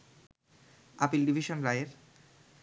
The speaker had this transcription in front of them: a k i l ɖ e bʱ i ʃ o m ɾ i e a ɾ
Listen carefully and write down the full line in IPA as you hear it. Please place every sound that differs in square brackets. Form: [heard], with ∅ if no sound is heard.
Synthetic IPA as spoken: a [p] i l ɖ [i] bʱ i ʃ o [n] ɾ [a] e [e] ɾ